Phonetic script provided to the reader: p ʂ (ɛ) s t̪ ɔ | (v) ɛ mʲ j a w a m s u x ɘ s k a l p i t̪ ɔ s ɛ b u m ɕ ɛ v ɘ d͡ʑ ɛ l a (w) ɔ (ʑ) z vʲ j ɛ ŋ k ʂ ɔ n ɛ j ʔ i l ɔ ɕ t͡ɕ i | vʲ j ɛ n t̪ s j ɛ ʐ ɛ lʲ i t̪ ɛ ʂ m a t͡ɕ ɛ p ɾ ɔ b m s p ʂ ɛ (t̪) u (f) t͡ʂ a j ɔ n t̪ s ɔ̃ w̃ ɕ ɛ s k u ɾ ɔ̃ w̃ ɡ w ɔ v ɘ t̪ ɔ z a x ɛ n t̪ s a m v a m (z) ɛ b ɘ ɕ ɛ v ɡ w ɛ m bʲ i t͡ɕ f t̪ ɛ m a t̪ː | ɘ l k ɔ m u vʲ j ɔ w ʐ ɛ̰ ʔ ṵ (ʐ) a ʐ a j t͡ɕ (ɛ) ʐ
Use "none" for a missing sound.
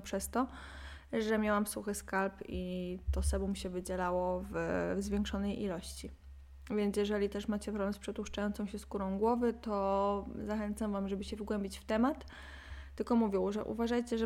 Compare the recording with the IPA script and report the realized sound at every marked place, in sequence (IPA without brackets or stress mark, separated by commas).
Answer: ɛ, ʐ, w, v, t̪, ʂ, ʐ, v, ɛ